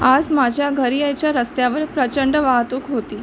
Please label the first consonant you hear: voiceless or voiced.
voiced